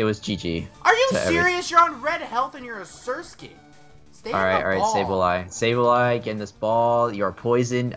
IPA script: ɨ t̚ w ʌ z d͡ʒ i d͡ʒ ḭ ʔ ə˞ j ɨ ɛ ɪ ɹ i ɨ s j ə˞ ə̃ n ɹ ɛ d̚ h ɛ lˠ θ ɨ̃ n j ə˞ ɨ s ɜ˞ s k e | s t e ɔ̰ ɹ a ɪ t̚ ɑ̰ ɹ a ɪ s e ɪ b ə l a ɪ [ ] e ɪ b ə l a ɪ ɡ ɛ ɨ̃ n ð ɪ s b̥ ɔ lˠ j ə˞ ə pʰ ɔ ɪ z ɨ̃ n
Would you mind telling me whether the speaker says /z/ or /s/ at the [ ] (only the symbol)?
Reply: s